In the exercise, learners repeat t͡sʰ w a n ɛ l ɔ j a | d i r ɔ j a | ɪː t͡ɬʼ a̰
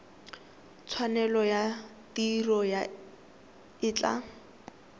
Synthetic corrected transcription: t͡sʰ w a n ɛ l ɔ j a | t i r ɔ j a | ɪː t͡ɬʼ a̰